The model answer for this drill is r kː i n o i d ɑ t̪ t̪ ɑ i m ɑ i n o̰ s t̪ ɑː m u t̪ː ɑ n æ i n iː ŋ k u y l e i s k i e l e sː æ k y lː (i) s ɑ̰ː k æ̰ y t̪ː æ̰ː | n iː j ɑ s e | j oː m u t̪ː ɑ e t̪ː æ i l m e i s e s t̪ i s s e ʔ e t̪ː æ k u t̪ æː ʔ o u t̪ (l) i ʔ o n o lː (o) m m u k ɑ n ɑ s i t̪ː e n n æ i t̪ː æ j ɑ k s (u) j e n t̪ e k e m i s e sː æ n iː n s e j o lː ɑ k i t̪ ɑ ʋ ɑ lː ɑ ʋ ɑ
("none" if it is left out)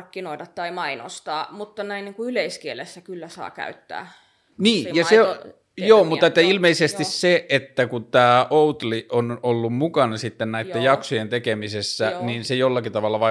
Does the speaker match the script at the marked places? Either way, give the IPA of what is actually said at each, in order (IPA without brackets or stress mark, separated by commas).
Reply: æ, l, u, o